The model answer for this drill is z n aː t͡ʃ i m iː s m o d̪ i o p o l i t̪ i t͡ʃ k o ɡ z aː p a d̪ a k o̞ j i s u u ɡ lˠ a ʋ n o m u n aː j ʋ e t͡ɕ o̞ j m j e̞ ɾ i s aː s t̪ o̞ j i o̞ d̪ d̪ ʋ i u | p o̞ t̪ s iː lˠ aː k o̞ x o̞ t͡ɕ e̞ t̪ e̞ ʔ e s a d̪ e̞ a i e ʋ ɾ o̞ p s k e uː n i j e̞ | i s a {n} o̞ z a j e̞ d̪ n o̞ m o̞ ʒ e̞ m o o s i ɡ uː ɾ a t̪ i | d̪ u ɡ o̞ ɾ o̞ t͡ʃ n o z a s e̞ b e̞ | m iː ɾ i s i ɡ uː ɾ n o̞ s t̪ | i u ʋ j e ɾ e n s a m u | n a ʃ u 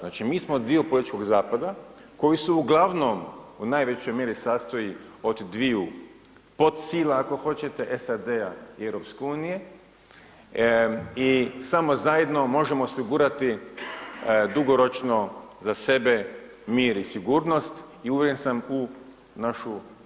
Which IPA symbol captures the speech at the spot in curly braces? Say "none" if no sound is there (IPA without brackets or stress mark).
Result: m